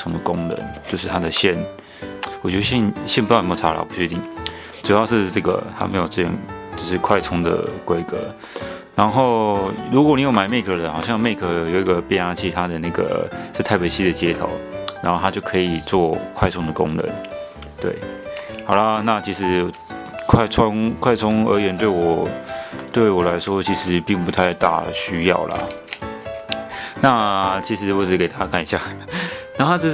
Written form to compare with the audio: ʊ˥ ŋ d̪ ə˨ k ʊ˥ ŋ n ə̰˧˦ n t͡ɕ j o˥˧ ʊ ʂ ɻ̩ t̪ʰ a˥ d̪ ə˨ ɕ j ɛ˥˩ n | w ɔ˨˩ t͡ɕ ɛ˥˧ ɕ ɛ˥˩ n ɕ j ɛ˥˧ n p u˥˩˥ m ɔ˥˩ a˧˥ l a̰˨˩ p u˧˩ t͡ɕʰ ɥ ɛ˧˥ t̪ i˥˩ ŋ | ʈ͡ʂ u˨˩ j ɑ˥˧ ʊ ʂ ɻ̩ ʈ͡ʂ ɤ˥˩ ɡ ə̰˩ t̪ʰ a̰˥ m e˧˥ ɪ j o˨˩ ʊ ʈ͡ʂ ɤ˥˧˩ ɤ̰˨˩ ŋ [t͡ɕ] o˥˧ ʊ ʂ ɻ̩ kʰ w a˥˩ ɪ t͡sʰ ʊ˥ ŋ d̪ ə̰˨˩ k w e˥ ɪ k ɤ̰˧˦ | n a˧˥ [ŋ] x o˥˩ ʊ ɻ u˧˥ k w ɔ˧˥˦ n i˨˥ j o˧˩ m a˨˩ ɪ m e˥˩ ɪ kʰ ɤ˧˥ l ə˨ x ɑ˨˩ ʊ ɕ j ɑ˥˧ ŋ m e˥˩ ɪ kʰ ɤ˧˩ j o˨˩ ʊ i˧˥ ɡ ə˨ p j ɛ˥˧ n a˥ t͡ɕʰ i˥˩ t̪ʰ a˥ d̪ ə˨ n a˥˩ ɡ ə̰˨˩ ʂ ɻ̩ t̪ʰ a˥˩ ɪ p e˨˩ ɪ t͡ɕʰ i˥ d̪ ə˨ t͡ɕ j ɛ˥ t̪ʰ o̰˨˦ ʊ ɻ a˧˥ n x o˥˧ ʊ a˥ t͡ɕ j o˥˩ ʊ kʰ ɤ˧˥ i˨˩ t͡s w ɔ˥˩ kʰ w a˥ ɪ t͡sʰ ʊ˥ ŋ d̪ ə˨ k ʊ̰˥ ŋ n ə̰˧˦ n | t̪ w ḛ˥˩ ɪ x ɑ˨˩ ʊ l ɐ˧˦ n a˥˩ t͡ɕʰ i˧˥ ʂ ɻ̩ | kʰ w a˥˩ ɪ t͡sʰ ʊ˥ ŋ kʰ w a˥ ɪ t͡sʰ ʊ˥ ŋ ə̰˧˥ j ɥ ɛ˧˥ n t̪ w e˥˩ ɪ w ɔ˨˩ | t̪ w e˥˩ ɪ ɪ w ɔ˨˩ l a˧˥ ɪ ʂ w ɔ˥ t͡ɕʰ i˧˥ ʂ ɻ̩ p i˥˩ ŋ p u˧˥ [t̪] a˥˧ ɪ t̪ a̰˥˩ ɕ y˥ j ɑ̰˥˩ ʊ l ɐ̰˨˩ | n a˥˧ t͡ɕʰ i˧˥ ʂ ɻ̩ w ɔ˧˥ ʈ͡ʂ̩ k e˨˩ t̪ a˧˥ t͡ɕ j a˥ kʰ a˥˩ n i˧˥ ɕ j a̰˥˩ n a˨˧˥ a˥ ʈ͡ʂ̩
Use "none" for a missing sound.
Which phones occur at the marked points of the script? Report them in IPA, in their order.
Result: t͡ɕ, n, t̪ʰ

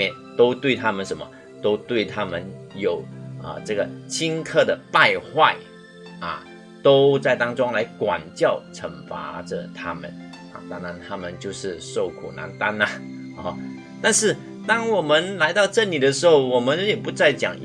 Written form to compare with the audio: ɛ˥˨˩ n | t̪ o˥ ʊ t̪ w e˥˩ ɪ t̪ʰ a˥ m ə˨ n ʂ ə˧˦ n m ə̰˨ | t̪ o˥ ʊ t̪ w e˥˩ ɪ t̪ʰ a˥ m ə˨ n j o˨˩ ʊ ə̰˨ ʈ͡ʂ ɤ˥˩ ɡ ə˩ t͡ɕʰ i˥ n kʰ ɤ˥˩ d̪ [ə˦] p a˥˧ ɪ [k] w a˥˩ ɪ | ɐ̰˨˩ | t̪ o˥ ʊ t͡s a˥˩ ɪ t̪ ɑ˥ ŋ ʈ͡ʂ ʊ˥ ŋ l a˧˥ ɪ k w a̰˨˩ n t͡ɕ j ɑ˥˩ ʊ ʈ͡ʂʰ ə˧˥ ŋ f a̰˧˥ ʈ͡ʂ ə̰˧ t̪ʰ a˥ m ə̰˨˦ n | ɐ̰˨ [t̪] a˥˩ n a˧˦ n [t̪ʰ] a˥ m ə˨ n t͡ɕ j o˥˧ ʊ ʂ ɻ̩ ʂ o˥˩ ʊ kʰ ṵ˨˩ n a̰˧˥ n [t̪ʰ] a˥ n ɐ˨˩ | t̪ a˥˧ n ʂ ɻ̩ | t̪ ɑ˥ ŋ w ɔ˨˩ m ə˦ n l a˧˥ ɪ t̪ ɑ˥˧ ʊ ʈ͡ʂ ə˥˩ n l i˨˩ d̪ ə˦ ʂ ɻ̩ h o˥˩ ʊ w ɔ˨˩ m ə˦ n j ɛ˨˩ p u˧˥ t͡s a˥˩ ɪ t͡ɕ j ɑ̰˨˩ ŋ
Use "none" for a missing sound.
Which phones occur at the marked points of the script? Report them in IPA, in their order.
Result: ə˩, x, t̪, t̪ʰ, t̪

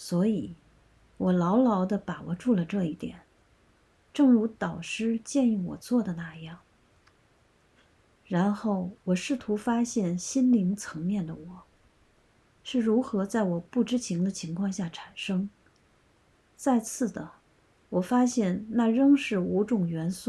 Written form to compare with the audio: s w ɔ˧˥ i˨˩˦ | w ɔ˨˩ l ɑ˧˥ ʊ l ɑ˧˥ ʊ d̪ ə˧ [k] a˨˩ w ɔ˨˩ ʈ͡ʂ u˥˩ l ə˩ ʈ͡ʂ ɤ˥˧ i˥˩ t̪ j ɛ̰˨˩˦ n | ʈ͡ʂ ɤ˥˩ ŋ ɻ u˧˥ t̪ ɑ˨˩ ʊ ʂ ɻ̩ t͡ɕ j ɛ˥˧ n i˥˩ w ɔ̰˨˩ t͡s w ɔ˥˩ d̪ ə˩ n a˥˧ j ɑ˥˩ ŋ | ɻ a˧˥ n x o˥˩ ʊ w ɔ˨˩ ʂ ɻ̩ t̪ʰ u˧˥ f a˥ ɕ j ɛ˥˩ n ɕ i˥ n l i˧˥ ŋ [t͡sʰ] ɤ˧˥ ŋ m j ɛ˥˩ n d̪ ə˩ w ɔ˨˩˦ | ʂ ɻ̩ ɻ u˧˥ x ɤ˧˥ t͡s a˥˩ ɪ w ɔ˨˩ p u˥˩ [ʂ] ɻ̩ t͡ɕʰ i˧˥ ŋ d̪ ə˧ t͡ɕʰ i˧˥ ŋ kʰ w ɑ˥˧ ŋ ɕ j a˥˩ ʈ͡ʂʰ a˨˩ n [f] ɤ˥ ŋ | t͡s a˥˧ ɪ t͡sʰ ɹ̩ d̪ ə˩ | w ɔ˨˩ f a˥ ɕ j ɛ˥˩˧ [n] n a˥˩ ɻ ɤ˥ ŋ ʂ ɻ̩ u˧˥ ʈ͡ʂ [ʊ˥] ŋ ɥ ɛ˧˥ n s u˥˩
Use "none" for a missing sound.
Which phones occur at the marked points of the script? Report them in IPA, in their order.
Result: p, t͡sʰ, ʈ͡ʂ, ʂ, n, ʊ˨˩

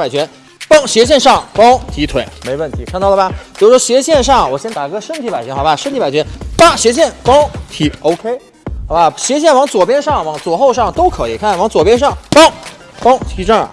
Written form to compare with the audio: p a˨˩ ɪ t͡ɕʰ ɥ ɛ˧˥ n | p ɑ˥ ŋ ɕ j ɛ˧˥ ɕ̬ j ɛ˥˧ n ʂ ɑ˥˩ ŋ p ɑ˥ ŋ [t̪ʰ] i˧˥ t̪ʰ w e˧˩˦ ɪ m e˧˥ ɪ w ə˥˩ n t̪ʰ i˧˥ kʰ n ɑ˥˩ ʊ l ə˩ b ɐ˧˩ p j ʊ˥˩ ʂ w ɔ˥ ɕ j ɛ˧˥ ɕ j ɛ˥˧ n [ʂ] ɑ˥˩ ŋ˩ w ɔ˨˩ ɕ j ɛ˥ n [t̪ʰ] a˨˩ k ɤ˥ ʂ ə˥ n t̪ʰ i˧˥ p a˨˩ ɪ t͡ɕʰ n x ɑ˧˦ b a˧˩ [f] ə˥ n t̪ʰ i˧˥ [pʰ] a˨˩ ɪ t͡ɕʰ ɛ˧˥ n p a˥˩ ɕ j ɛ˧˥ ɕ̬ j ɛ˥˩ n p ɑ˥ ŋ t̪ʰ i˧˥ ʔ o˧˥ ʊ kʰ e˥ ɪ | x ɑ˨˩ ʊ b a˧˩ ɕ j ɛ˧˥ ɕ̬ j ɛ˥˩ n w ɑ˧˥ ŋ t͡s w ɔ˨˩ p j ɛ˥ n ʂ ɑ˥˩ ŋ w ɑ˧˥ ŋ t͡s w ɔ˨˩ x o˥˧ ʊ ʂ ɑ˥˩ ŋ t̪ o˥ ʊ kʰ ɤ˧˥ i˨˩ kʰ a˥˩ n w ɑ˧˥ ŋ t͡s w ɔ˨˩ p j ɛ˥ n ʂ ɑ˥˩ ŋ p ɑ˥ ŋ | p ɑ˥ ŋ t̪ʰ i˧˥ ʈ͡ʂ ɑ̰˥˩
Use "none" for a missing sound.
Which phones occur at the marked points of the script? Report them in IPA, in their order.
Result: t̪ʰ, ʂ, t̪, ʂ, p

